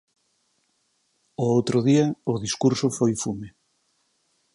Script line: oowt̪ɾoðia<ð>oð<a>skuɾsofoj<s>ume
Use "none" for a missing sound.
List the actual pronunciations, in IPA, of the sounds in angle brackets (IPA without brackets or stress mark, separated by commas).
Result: none, i, f